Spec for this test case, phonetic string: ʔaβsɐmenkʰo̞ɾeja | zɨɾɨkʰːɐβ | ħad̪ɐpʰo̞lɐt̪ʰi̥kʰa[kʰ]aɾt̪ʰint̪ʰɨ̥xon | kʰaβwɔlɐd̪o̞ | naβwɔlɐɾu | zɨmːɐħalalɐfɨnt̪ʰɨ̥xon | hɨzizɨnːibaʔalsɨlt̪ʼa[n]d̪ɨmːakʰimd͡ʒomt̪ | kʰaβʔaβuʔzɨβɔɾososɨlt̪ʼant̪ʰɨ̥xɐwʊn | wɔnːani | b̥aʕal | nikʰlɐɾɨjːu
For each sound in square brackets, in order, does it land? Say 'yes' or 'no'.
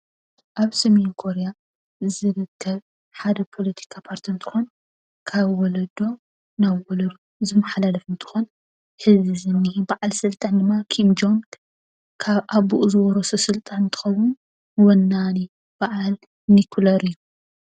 no, yes

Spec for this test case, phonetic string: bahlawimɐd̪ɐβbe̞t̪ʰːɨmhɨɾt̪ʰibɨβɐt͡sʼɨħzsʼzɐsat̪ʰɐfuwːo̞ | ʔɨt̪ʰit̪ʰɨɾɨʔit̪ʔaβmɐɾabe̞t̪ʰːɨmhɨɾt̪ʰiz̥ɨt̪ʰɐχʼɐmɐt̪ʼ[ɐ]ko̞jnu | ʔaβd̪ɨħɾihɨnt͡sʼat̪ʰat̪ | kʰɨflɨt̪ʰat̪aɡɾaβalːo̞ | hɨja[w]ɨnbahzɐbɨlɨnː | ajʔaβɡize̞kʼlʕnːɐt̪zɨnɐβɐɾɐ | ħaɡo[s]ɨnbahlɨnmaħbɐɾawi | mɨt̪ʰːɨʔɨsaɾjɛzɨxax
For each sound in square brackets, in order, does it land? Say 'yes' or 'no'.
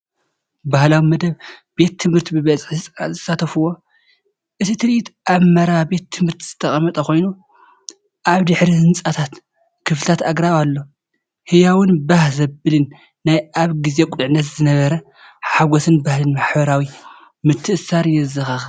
yes, yes, yes

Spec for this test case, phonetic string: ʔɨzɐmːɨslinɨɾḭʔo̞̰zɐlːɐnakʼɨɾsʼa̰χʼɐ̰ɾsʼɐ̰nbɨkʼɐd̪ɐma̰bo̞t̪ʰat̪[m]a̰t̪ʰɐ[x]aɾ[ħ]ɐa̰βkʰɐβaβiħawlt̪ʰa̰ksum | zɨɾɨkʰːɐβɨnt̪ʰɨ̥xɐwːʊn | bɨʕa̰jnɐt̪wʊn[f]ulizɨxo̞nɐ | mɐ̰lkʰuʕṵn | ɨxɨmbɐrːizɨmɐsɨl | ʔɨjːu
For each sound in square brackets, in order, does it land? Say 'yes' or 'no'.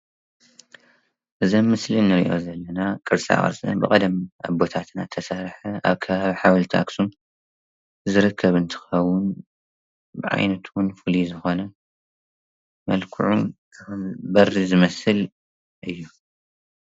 no, no, yes, yes

